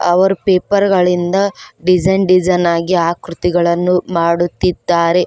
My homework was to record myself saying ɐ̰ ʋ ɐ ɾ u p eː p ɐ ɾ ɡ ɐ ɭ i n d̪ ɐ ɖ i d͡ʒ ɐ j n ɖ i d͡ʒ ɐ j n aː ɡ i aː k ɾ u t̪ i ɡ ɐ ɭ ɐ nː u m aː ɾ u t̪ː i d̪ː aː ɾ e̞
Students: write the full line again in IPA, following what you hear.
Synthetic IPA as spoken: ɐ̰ ʋ ɐ ɾ u p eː p ɐ ɾ ɡ ɐ ɭ i n d̪ ɐ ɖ i d͡ʒ ɐ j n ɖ i d͡ʒ ɐ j n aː ɡ i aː k ɾ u t̪ i ɡ ɐ ɭ ɐ nː u m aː ɽ u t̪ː i d̪ː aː ɾ e̞